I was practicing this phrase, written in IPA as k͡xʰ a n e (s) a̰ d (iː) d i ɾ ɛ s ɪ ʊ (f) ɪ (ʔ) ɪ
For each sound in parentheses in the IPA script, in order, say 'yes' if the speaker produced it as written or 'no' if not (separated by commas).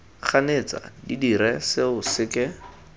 no, no, no, no